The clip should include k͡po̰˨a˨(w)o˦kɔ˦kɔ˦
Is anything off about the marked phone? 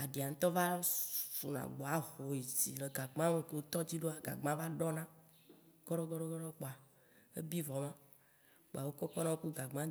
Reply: no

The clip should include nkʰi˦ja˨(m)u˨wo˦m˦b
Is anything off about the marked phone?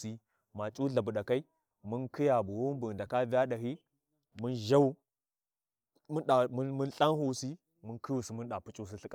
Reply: yes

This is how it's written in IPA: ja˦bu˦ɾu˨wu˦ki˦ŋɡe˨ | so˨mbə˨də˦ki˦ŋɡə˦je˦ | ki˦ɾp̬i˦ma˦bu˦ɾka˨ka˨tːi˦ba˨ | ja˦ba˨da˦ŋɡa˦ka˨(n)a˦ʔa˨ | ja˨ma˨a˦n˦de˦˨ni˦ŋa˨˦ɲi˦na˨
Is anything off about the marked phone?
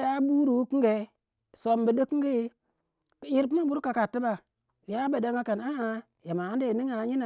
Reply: no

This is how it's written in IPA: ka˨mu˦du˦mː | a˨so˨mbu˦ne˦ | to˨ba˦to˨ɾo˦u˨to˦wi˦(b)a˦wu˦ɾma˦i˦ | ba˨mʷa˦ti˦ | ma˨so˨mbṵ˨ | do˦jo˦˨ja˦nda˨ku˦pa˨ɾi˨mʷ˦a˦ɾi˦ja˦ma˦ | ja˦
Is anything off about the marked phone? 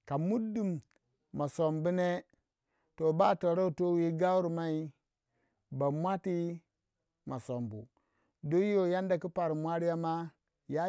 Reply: yes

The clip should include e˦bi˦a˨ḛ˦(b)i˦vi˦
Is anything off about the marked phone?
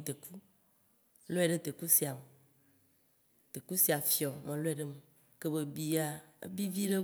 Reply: no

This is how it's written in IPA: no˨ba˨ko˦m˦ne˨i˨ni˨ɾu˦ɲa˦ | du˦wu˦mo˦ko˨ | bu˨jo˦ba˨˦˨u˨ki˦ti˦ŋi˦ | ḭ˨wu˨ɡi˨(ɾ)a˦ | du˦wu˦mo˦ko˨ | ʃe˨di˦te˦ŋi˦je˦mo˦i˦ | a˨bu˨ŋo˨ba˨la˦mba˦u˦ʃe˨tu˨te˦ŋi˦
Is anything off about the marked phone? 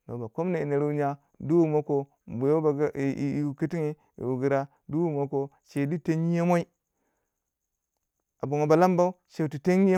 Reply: no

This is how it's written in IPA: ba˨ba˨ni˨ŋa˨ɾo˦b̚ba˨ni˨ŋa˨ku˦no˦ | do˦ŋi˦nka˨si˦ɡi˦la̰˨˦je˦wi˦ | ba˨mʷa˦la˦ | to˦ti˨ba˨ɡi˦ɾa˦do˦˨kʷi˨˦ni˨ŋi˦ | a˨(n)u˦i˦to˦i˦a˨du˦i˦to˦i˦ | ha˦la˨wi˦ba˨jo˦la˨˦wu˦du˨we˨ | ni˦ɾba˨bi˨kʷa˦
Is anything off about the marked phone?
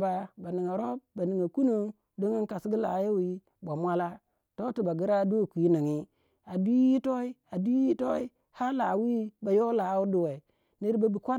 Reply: yes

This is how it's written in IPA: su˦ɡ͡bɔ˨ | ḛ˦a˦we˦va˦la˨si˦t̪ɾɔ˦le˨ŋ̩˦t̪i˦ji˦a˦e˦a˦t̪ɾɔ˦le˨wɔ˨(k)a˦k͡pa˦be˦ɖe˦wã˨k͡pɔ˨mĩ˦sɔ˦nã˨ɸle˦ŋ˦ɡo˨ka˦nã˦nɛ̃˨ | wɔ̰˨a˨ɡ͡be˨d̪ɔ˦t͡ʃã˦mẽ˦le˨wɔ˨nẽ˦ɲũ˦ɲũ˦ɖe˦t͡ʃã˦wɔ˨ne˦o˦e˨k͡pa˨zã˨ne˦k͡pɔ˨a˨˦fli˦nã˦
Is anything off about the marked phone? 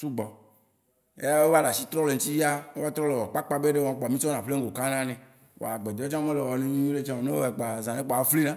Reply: yes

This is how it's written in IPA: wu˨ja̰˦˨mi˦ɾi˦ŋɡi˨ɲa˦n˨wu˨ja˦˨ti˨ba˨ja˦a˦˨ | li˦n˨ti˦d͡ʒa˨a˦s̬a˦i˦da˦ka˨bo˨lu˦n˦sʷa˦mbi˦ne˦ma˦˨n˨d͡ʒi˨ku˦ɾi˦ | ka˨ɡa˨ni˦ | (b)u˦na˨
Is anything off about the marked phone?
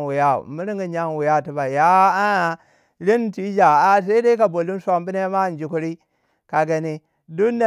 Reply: yes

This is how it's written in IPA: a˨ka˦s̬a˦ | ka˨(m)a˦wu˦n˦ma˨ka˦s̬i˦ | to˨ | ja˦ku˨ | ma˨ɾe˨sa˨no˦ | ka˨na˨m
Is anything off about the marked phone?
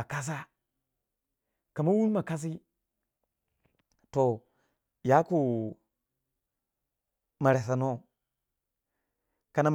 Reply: no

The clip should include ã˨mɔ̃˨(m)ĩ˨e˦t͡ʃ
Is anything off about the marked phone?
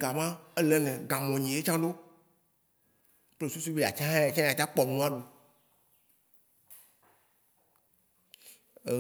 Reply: yes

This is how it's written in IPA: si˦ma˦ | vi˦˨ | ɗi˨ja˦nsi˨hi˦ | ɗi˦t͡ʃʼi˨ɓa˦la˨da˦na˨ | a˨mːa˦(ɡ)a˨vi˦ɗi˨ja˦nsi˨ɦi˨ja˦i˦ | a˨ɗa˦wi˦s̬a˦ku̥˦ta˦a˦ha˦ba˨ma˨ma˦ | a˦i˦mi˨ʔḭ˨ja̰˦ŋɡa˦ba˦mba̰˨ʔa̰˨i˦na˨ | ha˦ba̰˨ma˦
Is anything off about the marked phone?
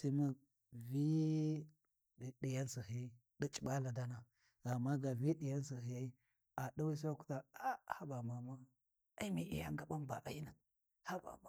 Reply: no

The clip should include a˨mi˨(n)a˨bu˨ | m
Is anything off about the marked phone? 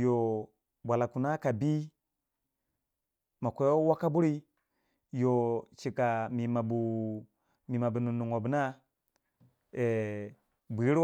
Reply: yes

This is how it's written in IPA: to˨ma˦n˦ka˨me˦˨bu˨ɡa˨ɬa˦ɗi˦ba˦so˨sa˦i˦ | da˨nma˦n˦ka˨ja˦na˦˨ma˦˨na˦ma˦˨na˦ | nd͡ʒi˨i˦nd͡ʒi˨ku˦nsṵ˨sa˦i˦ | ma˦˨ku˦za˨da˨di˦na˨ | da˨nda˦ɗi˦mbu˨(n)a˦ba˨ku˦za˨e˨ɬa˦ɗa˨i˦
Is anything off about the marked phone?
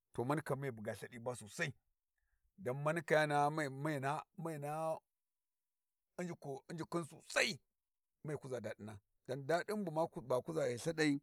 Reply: yes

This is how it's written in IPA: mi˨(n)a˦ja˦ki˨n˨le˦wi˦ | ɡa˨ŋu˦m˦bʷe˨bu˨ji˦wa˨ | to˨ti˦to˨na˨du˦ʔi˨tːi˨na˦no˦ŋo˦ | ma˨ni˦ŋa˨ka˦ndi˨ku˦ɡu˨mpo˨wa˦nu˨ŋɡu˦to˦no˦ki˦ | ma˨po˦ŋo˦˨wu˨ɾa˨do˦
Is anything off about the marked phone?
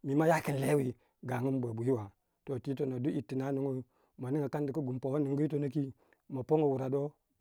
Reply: yes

